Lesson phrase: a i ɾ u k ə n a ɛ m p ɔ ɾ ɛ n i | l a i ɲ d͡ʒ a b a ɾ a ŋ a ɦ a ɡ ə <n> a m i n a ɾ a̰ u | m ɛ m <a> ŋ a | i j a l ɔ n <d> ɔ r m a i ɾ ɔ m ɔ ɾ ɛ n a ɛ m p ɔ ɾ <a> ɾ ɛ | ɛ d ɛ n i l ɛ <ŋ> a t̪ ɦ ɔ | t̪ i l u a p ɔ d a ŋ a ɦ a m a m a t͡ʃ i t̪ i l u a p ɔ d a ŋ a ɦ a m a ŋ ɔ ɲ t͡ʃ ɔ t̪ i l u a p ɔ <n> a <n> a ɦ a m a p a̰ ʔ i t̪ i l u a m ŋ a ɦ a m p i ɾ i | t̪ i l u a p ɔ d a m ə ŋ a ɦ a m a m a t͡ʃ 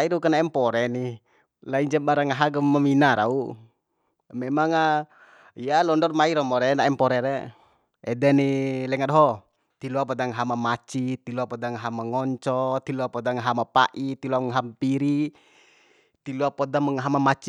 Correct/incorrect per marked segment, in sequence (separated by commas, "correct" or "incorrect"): incorrect, correct, correct, incorrect, correct, incorrect, incorrect